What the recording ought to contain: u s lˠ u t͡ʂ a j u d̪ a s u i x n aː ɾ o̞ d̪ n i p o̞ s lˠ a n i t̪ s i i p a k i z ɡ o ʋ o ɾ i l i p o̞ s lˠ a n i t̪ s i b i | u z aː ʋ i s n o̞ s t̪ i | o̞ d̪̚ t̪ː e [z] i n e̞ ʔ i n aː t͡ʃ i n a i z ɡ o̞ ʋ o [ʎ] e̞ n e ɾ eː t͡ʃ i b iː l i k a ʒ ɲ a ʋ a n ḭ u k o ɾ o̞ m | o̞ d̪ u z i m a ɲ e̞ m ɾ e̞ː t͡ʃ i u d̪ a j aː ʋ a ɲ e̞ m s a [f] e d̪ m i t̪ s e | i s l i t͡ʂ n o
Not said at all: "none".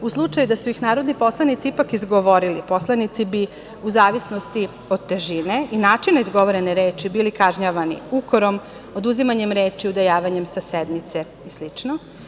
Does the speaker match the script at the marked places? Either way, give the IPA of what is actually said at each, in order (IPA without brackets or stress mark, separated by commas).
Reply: ʒ, ɾ, s